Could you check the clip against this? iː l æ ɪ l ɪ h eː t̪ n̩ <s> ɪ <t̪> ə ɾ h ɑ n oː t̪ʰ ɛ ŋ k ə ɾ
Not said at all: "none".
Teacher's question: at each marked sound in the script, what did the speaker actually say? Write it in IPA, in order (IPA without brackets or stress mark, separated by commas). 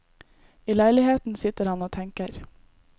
s, t̪